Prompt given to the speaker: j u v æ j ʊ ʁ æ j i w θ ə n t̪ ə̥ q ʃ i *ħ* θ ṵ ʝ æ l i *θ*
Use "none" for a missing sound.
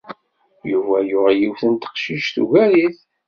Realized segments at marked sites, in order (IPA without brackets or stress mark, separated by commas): ʃ, θ